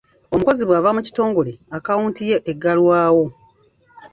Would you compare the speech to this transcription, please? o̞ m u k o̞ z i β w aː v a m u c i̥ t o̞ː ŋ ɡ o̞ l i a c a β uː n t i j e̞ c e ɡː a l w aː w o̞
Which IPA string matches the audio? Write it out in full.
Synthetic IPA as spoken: o̞ m u k o̞ z i β w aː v a m u c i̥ t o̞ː ŋ ɡ o̞ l e a k a w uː n t i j e̞ ʔ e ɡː a l w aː w o̞

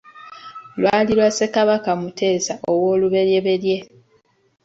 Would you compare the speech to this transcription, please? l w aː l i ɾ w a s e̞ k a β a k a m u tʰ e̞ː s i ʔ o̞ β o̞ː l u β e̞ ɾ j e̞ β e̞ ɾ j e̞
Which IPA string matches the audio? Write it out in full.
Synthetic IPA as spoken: l w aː l i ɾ w a s e̞ k a β a k a m u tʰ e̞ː s a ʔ o̞ w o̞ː l u β e̞ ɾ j e̞ β e̞ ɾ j e̞

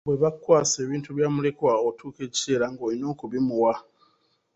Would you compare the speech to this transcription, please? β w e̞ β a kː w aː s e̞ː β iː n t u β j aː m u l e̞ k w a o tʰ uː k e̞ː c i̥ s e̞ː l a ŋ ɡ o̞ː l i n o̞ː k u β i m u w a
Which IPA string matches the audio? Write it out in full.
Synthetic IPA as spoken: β w e̞ β a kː w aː s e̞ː β iː n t u β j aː m u l e̞ k w a o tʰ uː k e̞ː c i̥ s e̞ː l a ŋ ɡ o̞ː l i n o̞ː k u β i m u w a

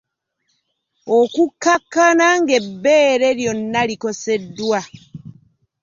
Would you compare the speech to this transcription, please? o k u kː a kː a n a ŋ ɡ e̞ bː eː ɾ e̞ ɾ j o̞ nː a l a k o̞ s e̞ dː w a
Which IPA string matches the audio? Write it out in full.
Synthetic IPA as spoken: o k u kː a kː a n a ŋ ɡ e̞ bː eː ɾ e̞ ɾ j o̞ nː a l i k o̞ s e̞ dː w a

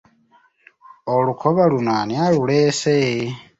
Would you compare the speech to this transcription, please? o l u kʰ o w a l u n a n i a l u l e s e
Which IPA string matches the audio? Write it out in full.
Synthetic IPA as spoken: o l u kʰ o β a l u n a n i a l u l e s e

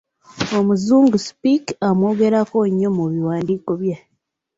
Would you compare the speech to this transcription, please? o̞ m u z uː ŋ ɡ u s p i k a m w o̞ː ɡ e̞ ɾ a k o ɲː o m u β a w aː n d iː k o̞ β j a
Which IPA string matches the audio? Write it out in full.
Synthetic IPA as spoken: o̞ m u z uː ŋ ɡ u s p i k a m w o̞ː ɡ e̞ ɾ a k o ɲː o m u β i w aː n d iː k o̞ β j a

